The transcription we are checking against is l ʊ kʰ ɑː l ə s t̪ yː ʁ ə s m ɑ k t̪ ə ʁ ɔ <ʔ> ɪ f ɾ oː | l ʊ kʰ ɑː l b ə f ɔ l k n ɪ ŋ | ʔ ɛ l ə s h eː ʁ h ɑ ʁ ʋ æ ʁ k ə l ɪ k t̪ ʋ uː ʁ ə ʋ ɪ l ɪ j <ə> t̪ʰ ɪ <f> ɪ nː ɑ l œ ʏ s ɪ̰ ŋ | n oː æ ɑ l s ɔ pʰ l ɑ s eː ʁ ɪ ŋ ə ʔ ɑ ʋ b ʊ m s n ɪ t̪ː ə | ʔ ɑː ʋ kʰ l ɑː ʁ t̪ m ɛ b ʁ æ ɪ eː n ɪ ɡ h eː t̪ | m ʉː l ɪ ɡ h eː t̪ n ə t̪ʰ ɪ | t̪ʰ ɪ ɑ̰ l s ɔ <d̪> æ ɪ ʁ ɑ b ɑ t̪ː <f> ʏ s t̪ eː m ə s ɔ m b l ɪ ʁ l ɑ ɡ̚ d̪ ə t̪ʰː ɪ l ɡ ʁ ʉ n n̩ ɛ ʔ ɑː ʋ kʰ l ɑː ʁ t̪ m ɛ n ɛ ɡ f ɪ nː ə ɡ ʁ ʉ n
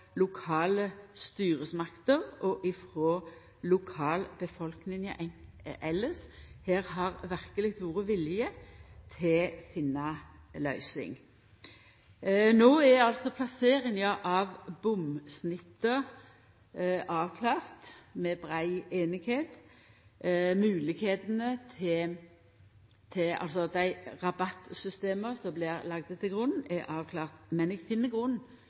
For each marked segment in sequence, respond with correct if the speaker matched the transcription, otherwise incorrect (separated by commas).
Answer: correct, correct, correct, correct, incorrect